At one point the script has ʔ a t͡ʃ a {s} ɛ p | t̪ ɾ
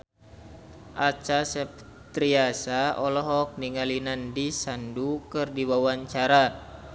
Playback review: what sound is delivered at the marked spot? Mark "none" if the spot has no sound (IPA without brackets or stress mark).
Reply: s